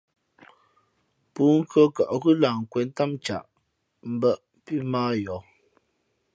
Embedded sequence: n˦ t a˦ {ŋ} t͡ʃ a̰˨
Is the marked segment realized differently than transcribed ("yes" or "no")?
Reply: yes